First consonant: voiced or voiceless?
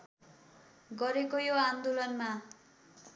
voiced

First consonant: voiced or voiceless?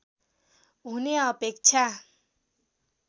voiced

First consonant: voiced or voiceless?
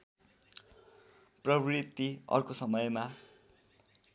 voiceless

